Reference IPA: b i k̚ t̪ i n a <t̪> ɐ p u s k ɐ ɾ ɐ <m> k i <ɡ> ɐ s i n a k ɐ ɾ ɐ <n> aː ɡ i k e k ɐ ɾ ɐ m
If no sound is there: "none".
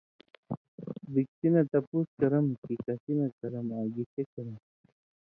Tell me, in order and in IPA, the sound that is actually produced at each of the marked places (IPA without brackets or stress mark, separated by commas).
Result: t̪, m, k, m